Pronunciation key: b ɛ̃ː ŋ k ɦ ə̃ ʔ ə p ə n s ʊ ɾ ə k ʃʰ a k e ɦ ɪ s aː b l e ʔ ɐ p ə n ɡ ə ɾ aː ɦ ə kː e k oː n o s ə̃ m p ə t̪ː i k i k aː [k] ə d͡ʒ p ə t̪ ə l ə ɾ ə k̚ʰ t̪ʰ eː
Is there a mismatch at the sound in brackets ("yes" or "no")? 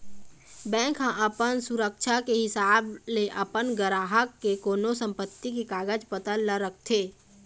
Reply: yes